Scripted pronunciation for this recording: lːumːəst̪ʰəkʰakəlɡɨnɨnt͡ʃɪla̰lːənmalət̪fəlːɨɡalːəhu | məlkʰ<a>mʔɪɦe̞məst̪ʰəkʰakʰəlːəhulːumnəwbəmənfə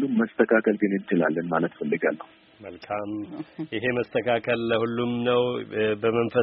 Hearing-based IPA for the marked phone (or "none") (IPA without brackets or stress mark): a